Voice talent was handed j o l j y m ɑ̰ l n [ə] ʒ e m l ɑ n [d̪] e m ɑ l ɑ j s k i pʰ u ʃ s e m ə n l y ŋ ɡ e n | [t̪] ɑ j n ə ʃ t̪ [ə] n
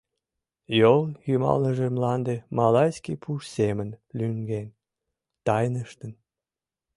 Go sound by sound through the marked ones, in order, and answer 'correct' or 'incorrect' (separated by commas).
correct, correct, correct, correct